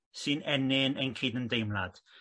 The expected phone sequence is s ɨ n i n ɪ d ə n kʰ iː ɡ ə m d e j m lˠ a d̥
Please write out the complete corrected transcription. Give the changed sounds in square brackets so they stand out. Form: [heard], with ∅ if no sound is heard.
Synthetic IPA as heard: s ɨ n [ɛ] n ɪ [n] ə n kʰ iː [d] ə [n] d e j m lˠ a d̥